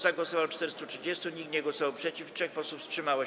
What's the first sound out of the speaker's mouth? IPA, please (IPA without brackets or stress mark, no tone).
z